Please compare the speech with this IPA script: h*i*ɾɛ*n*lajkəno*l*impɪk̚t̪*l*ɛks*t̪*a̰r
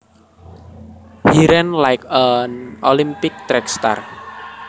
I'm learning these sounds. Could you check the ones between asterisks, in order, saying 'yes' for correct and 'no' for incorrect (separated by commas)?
yes, yes, yes, no, yes